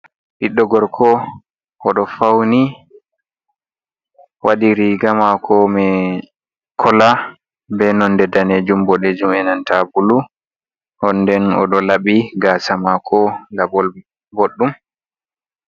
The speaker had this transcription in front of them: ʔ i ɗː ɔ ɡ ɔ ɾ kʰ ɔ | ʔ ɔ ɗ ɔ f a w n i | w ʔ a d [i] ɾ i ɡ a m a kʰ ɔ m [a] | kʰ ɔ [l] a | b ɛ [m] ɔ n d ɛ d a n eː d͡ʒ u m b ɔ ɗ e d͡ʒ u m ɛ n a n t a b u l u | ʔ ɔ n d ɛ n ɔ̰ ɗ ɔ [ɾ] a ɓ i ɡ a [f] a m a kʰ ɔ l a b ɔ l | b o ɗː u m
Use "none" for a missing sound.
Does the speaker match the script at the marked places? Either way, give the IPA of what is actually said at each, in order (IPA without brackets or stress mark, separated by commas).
i, ɛ, l, n, l, s